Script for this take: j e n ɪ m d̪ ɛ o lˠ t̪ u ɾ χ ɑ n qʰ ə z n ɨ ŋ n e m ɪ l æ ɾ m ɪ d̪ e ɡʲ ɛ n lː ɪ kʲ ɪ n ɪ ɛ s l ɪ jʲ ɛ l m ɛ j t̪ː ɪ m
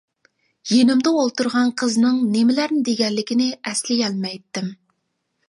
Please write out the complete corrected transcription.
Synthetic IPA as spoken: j e n ɪ m d̪ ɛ o lˠ t̪ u ɾ ʁ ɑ n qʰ ə z n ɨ ŋ n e m ɪ l æ ɾ n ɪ d̪ e ɡʲ ɛ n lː ɪ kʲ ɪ n ɪ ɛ s l ɪ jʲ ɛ l m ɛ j t̪ː ɪ m